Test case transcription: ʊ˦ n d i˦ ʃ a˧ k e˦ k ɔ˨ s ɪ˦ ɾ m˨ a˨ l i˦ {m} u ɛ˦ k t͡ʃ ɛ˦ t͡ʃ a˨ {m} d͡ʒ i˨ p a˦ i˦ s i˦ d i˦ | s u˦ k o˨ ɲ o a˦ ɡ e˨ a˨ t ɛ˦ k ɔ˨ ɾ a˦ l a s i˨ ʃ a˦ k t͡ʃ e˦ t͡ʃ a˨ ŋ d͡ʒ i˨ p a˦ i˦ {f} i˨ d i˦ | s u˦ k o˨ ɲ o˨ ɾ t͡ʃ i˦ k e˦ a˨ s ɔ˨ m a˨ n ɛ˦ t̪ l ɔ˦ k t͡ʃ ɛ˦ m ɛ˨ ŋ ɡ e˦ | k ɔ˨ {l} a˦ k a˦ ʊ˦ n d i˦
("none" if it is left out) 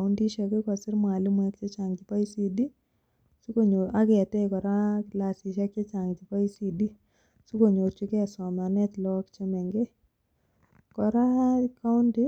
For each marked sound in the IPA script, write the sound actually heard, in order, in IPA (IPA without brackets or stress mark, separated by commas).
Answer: m, ŋ, s, ɾ